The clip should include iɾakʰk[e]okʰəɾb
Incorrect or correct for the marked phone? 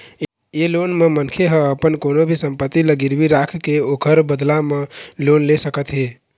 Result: correct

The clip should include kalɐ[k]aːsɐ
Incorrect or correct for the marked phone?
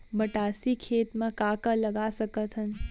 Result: incorrect: ɡ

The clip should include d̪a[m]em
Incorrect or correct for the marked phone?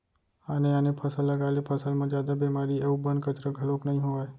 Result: incorrect: b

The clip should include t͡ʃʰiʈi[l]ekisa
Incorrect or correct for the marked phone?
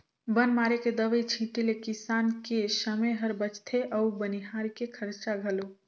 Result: correct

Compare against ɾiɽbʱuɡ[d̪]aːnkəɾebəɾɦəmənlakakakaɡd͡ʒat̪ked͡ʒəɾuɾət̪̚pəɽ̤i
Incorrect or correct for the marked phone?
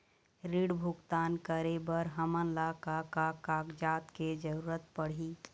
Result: incorrect: t̪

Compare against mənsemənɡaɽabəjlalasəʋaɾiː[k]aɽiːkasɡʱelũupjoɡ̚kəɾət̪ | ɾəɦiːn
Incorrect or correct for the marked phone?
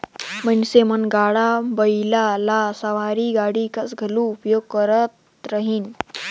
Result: incorrect: ɡ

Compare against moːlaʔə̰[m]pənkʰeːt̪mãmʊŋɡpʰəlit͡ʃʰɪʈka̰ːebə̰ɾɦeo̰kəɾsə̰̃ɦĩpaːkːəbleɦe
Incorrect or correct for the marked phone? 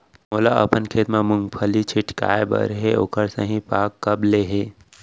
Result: incorrect: none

